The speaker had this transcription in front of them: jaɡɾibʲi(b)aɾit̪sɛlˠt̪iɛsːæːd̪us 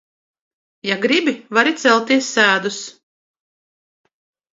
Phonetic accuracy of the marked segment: incorrect: v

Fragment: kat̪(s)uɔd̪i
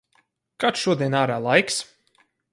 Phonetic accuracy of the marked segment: incorrect: ʃ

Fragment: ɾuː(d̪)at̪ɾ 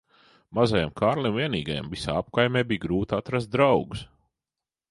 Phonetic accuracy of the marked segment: incorrect: t̪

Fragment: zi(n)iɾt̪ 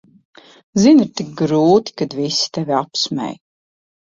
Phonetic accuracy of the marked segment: correct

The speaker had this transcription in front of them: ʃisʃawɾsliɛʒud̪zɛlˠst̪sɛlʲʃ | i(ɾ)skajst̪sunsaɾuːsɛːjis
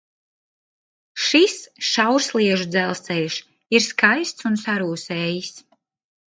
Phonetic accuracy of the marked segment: correct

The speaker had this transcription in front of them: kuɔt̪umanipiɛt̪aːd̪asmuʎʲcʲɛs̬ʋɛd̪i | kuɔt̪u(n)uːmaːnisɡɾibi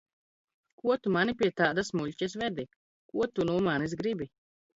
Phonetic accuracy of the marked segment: correct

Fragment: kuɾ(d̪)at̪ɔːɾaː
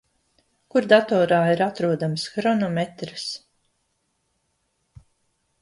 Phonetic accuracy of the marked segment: correct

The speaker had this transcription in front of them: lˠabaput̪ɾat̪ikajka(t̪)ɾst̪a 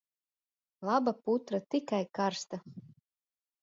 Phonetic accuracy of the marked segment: incorrect: none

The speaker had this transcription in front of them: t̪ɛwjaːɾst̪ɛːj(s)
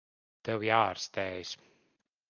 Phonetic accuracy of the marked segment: correct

